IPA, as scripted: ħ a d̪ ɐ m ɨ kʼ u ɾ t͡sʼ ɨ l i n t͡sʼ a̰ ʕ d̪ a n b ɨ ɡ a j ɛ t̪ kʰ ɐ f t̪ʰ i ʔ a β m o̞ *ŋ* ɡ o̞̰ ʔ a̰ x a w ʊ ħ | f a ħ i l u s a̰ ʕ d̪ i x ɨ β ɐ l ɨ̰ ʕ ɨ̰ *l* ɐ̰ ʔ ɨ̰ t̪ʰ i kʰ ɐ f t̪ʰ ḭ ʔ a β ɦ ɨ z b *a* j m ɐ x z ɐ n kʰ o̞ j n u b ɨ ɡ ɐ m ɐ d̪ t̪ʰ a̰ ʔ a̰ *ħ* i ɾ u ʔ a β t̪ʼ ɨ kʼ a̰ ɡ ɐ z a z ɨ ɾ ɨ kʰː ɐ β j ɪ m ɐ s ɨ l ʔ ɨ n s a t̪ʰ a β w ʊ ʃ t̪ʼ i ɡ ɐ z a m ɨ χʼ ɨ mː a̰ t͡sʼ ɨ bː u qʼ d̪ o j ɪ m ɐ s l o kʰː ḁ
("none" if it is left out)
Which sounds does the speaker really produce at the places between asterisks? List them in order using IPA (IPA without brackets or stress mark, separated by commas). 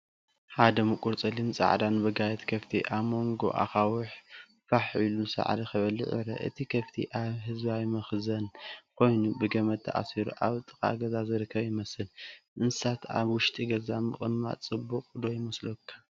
ŋ, ɾ, a, s